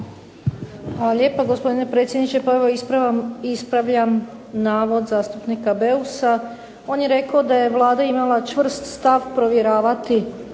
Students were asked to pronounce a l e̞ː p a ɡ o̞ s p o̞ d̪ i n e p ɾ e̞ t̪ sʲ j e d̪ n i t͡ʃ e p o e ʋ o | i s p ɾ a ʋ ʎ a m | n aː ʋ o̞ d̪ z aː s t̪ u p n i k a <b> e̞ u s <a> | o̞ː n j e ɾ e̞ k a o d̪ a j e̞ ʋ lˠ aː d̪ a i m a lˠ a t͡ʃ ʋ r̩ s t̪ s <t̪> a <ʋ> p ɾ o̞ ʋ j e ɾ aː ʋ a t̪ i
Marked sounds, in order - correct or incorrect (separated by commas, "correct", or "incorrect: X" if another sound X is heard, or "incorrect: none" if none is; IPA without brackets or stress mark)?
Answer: correct, correct, correct, correct